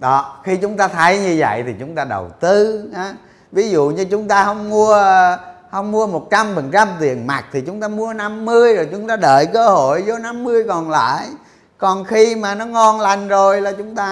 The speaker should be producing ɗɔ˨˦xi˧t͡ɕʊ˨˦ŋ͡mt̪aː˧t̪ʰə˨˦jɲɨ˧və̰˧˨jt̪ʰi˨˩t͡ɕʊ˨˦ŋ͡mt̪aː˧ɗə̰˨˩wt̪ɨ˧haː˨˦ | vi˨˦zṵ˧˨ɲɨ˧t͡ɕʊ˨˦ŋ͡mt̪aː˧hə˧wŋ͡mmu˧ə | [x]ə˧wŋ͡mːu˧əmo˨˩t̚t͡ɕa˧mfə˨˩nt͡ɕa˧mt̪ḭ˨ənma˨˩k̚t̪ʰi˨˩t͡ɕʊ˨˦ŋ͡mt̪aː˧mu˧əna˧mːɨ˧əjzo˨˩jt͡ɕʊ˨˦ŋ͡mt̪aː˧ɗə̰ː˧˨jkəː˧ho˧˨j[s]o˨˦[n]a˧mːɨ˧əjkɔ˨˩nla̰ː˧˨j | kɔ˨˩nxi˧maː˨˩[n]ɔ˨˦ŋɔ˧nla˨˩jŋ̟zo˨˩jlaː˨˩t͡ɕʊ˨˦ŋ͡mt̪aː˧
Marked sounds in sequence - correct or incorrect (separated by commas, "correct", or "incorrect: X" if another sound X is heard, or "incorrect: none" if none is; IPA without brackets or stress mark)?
incorrect: h, incorrect: z, correct, correct